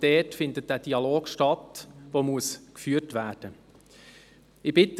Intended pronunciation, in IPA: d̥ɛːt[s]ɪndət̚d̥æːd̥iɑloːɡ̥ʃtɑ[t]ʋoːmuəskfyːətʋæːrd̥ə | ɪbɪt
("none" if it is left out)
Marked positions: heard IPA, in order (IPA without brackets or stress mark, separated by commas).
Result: f, t